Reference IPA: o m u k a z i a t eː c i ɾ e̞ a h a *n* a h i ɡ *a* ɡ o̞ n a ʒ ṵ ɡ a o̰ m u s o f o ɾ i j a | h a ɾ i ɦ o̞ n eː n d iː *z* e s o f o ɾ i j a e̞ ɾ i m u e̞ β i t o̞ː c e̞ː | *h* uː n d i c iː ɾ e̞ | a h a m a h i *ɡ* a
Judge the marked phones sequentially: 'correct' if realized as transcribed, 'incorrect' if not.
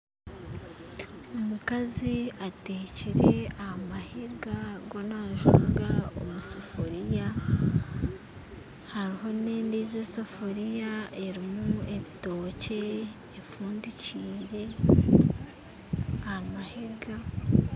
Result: incorrect, correct, correct, incorrect, correct

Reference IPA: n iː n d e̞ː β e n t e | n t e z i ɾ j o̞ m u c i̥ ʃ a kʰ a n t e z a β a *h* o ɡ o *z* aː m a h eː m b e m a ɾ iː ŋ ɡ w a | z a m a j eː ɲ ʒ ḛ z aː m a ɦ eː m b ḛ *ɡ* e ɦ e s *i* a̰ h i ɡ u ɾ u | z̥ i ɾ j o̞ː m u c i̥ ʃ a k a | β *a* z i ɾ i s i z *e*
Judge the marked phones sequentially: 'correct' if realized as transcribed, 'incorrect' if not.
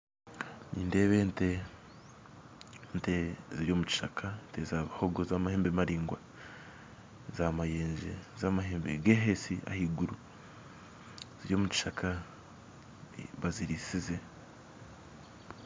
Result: correct, correct, correct, correct, correct, correct

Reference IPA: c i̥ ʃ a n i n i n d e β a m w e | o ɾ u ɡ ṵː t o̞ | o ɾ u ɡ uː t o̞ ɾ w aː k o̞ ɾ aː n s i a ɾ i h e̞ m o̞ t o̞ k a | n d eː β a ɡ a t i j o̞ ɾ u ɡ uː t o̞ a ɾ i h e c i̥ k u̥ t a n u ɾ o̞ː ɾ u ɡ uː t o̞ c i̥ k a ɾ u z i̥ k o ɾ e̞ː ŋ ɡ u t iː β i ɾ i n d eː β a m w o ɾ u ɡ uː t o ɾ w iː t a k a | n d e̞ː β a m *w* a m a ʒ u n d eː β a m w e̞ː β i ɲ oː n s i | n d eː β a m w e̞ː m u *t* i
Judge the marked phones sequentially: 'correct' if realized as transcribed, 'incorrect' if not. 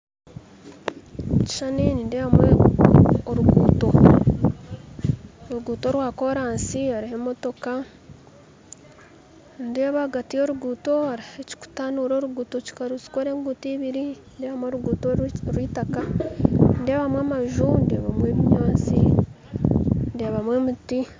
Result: correct, correct

